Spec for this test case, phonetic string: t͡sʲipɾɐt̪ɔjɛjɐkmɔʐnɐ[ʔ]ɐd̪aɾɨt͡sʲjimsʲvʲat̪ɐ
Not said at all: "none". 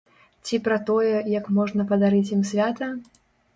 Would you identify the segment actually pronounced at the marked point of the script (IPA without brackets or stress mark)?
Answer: p